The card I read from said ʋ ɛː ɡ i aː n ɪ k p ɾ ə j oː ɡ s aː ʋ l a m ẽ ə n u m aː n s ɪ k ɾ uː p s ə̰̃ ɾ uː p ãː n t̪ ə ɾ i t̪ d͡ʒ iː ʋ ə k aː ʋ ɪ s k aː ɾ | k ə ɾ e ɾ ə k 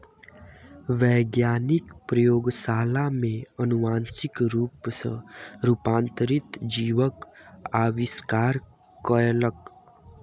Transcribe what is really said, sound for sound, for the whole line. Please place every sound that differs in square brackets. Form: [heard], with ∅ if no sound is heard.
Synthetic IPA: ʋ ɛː ɡ [j] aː n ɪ k p ɾ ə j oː ɡ s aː [∅] l a m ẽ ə n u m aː n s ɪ k ɾ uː p s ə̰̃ ɾ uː p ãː n t̪ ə ɾ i t̪ d͡ʒ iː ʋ ə k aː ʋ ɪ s k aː ɾ | k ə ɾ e [l] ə k